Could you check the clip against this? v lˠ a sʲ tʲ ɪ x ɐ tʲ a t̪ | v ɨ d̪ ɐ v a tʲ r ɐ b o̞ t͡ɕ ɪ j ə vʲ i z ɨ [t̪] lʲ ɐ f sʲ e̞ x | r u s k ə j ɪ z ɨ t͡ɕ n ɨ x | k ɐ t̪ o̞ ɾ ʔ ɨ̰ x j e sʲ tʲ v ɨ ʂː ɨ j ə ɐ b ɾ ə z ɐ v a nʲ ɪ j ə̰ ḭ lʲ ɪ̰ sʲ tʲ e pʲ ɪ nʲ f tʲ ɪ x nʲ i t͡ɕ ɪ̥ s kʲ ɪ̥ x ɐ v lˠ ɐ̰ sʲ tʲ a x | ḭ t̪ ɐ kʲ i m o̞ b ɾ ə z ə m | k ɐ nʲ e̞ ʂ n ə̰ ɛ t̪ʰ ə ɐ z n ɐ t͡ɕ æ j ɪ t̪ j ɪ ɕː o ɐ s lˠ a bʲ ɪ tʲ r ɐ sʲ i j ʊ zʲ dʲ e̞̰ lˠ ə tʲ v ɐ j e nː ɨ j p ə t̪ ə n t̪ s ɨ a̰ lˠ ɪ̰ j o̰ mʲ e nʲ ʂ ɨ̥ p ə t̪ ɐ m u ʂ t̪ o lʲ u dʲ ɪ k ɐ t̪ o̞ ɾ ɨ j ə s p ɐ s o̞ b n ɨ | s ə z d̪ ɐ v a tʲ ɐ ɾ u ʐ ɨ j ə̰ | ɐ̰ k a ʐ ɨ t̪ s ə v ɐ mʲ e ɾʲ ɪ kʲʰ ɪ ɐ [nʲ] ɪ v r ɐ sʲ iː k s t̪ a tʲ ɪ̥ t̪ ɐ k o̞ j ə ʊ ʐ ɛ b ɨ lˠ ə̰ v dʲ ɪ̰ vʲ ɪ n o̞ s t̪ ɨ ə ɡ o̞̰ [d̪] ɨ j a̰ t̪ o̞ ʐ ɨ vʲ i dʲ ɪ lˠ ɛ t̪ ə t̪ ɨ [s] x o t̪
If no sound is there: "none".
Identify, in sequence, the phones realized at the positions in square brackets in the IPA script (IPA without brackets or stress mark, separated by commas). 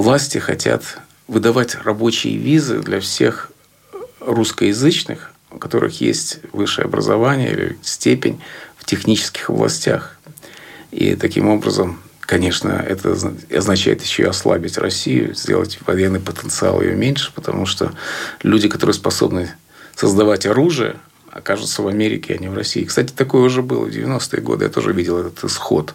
d̪, nʲ, d̪, s